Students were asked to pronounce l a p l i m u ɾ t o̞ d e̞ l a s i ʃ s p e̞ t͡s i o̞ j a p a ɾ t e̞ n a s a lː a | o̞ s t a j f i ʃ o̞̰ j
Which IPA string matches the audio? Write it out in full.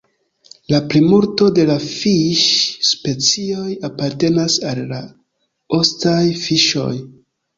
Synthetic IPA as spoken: l a p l i m u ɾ t o̞ d e̞ l a f i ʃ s p e̞ t͡s i o̞ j a p a ɾ t e̞ n a s a lː a | o̞ s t a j f i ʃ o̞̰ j